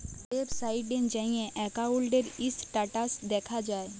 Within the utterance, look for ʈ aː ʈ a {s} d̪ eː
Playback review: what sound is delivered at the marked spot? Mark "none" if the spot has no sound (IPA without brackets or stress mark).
s